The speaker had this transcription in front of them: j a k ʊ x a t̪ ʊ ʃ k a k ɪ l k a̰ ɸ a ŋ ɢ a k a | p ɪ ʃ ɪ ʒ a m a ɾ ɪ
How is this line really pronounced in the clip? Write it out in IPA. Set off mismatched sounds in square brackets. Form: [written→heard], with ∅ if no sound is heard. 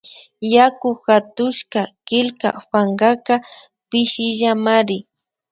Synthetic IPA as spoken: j a k ʊ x a t̪ ʊ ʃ k a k ɪ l k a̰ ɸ a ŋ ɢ a k a | p ɪ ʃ ɪ ʒ a m a ɾ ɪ